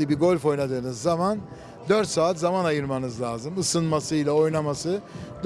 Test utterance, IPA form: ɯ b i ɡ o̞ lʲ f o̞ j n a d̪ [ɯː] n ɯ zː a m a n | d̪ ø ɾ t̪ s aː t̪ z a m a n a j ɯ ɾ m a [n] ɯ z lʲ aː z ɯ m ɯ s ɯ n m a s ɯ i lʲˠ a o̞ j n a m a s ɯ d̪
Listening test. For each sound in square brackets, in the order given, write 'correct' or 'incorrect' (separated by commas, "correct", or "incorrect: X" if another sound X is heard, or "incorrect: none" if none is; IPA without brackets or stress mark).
correct, correct